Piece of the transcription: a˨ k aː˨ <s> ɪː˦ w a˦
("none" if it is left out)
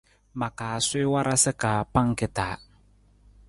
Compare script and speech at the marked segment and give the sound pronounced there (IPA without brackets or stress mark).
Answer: s